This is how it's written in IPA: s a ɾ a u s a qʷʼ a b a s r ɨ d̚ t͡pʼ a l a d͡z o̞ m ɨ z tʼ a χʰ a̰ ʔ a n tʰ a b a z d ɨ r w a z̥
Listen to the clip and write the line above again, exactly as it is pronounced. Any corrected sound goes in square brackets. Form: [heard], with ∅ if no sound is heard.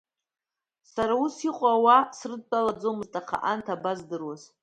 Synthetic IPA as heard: s a ɾ a u s [i] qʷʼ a [w] a s r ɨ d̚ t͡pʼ a l a d͡z o̞ m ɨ z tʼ a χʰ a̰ ʔ a n tʰ a b a z d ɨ r w a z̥